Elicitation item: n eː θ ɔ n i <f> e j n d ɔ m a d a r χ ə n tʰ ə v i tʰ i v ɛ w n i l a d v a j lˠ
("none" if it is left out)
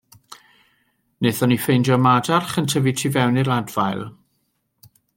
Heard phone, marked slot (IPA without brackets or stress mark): f